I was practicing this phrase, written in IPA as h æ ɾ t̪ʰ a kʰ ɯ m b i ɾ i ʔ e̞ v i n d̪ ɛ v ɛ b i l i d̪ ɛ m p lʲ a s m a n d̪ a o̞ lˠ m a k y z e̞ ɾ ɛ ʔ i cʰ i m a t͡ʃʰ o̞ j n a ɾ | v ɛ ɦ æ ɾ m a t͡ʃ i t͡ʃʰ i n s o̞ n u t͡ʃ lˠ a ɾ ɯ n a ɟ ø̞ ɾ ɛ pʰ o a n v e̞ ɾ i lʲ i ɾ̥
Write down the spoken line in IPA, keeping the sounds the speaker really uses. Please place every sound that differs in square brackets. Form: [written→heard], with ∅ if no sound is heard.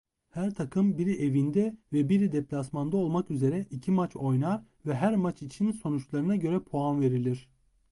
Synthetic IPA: h æ ɾ t̪ʰ a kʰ ɯ m b i ɾ i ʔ e̞ v i n d̪ ɛ v ɛ b i [l→ɾ] i d̪ ɛ [m→∅] p lʲ a s m a n d̪ a o̞ lˠ m a k y z e̞ ɾ ɛ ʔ i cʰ i m a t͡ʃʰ o̞ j n a ɾ | v ɛ ɦ æ ɾ m a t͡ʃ i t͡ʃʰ i n s o̞ n u t͡ʃ lˠ a ɾ ɯ n a ɟ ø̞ ɾ ɛ pʰ o a n v e̞ ɾ i lʲ i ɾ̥